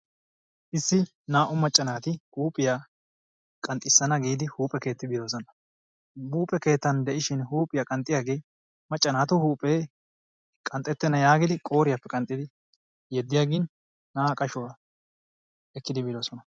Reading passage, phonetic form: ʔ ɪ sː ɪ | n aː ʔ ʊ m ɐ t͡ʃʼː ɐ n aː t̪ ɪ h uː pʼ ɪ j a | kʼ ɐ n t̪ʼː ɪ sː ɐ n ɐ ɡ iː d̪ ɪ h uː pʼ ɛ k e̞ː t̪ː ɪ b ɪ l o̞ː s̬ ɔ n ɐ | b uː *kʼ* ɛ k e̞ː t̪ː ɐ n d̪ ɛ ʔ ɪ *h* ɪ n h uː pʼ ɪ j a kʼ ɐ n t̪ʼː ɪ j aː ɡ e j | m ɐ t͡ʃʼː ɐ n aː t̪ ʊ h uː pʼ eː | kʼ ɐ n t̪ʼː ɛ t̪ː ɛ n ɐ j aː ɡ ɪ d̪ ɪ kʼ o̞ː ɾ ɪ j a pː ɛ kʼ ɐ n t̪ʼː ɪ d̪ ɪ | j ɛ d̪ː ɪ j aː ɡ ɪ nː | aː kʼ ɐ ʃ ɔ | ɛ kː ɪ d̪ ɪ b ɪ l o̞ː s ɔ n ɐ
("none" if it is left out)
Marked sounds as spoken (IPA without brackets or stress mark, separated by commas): pʼ, ʃ